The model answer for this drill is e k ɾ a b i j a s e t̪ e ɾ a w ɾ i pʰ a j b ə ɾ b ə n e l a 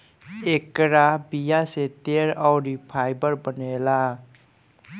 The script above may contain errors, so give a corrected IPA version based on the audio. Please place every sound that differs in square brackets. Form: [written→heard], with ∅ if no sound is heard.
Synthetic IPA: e k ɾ a b i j a s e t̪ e ɾ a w ɾ i pʰ a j b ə ɾ b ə n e l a